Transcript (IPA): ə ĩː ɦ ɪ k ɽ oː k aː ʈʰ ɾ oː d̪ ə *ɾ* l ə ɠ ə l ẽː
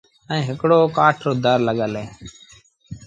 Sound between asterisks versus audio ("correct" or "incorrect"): correct